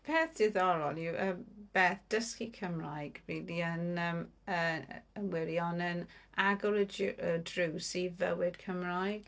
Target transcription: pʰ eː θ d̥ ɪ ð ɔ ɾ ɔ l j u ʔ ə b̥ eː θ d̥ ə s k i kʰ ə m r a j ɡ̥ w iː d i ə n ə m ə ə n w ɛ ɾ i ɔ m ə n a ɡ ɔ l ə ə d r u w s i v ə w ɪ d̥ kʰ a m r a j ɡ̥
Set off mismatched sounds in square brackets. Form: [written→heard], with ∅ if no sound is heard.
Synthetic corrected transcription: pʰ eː θ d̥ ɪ ð ɔ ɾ ɔ l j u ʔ ə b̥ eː θ d̥ ə s k i kʰ ə m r a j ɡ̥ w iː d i ə n ə m ə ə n w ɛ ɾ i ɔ [m→n] ə n a ɡ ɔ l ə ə d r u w s i v ə w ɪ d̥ kʰ [a→ə] m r a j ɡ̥